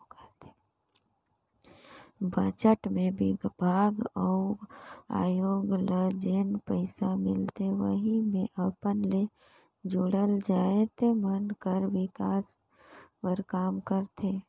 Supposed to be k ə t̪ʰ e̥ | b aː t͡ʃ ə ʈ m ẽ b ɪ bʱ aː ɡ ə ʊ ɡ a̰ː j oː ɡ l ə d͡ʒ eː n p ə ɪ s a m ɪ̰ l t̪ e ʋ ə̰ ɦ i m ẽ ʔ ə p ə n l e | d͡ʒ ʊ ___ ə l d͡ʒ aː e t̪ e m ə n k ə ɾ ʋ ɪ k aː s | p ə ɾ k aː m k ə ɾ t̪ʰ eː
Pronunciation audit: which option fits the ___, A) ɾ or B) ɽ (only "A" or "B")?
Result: B